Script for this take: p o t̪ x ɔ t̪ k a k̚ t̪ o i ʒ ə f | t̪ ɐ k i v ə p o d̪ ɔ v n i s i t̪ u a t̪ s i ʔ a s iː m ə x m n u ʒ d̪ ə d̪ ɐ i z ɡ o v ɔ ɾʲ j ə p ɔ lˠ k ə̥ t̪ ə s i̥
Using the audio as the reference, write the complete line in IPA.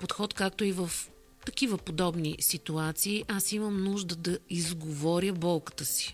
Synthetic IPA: p o t̪ x ɔ t̪ k a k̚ t̪ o i v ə f | t̪ ɐ k i v ə p o d̪ ɔ b n i s i t̪ u a t̪ s iː ʔ a s i m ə m n u ʒ d̪ ə d̪ ɐ i z ɡ o v ɔ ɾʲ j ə b ɔ lˠ k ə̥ t̪ ə s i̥